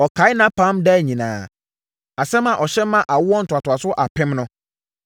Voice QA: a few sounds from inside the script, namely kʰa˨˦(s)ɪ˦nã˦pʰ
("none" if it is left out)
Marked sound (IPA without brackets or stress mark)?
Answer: none